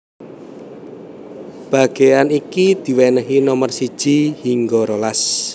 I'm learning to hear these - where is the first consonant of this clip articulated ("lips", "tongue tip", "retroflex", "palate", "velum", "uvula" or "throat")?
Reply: lips